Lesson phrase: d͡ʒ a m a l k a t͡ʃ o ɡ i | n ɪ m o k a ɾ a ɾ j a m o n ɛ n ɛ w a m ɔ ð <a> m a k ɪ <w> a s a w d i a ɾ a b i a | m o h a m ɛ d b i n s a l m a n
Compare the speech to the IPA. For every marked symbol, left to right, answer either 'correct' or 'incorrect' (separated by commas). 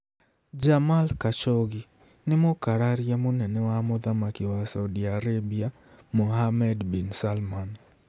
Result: correct, correct